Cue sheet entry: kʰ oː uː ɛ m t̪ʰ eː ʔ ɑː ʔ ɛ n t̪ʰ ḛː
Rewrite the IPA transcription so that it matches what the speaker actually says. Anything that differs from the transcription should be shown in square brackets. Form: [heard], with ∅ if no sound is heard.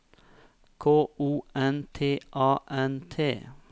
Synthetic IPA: kʰ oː uː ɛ [n] t̪ʰ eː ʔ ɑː ʔ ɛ n t̪ʰ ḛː